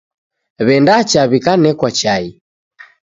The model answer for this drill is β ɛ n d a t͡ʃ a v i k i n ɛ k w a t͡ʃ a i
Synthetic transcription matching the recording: β ɛ n d a t͡ʃ a β i k a n ɛ k w a t͡ʃ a i